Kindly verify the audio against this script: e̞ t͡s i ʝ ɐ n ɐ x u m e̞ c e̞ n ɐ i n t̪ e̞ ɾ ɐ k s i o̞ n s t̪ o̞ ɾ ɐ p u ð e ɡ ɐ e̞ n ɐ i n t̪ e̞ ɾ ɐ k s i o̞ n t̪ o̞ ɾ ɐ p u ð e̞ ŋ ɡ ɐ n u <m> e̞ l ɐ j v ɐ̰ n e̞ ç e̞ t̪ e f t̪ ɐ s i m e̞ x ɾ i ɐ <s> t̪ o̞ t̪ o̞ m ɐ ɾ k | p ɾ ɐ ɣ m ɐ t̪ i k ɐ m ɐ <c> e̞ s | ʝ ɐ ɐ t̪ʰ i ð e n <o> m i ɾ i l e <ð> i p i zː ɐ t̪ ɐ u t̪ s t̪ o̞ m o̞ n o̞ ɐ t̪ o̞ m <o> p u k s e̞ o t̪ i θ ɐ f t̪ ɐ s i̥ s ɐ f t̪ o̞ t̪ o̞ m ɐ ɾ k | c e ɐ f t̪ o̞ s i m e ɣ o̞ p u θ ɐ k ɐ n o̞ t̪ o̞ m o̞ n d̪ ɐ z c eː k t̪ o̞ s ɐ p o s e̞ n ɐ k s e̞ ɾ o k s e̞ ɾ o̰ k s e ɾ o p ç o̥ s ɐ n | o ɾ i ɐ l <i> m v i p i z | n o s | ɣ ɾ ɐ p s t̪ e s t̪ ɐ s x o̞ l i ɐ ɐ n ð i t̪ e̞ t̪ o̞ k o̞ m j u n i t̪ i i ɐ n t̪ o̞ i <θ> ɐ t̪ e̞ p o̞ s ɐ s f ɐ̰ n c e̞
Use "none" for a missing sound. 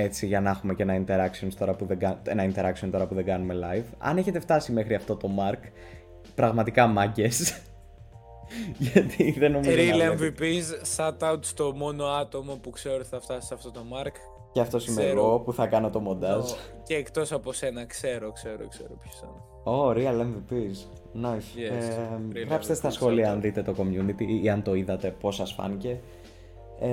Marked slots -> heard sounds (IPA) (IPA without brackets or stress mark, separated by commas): m, f, ɟ, o, v, o, e, ð